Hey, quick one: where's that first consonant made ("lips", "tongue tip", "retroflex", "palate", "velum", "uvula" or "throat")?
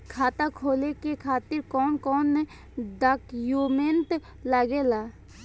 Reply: velum